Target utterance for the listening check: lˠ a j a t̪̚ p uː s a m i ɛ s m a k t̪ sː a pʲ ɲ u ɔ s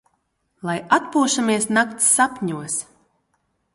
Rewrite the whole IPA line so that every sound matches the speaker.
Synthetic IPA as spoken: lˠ a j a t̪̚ p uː ʃ a m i ɛ s n a k t̪ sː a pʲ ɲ u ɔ s